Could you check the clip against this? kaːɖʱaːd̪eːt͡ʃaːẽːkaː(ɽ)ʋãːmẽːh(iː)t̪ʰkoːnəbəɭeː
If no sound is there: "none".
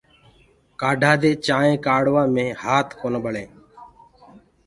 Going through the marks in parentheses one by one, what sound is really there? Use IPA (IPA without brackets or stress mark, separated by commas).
ɽ, aː